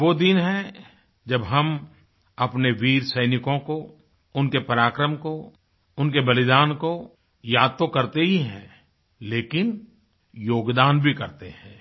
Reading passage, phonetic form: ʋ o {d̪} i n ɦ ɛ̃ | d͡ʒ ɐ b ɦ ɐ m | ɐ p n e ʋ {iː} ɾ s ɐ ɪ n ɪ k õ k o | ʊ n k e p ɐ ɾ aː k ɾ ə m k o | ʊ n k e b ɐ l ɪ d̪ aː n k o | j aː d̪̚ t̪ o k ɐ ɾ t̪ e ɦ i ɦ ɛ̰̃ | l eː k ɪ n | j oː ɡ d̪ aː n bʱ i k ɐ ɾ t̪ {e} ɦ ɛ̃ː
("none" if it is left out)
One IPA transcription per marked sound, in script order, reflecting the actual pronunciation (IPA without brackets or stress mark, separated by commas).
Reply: d̪, iː, e